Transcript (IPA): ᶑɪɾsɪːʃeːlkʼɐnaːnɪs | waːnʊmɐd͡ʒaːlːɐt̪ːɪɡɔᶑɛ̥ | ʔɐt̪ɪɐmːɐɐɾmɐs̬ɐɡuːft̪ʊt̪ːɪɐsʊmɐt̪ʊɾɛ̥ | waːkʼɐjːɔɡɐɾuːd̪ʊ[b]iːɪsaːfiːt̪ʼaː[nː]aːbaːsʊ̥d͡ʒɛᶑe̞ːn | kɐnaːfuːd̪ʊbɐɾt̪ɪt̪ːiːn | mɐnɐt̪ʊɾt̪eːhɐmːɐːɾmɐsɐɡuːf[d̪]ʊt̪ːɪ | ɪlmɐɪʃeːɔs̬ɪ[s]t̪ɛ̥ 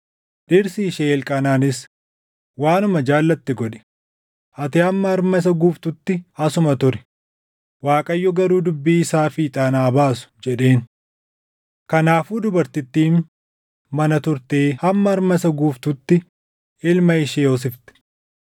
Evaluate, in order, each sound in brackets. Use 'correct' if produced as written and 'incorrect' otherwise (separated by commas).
incorrect, incorrect, incorrect, incorrect